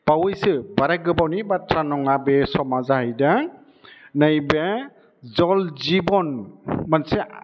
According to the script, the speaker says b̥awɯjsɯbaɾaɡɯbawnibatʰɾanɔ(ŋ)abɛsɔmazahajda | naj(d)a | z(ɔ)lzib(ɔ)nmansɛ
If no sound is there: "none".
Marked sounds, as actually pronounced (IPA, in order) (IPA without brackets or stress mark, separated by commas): ŋ, b, ɔ, ɔ